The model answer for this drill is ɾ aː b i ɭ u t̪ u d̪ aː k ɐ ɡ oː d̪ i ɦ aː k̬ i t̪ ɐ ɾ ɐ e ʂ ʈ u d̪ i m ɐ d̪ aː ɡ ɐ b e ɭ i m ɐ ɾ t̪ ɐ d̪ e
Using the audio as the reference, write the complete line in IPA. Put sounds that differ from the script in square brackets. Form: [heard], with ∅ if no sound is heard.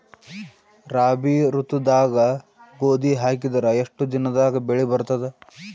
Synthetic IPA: ɾ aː b i [ɾ] u t̪ u d̪ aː [ɡ] ɐ ɡ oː d̪ i ɦ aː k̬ i [d̪] ɐ ɾ ɐ e ʂ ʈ u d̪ i [n] ɐ d̪ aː ɡ ɐ b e ɭ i [b] ɐ ɾ t̪ ɐ d̪ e